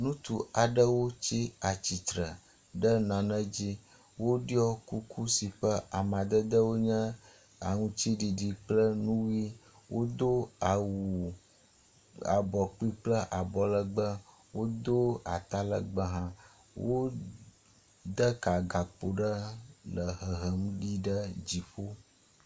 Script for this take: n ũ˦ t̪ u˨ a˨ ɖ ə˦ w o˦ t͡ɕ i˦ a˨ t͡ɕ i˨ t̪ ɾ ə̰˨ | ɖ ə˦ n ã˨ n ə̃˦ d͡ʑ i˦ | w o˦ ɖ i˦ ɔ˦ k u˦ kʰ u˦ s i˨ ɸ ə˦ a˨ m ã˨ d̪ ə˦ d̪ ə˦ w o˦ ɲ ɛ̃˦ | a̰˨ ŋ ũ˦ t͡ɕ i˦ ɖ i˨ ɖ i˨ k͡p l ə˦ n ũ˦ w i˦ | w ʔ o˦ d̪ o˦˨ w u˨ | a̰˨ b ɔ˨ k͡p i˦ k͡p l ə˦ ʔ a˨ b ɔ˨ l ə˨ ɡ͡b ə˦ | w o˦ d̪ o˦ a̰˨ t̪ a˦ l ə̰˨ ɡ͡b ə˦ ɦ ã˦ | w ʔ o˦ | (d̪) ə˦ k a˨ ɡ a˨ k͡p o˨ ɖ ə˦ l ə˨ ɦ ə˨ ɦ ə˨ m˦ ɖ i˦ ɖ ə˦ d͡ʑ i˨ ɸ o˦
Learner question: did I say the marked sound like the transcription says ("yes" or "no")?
yes